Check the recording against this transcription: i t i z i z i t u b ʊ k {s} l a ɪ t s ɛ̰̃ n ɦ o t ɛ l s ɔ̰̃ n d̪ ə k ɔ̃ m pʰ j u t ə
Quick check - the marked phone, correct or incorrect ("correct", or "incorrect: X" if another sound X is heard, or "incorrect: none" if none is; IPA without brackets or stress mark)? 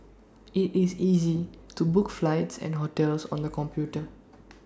incorrect: f